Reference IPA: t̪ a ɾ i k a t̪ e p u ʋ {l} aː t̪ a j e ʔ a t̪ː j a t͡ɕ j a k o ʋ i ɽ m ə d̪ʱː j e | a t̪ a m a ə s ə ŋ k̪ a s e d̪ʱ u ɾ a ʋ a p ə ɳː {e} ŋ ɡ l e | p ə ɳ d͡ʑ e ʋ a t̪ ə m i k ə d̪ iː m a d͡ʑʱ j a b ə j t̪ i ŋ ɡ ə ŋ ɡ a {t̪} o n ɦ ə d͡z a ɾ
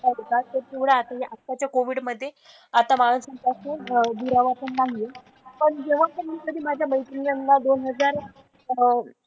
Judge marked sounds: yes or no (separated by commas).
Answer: no, no, no